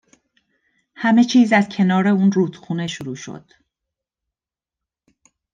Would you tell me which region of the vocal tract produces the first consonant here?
throat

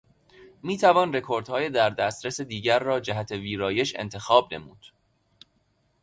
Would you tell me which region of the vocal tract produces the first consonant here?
lips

